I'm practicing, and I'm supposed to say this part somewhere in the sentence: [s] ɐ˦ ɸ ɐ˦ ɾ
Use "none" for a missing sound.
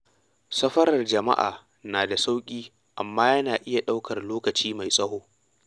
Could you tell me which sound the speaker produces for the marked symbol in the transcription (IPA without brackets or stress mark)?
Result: s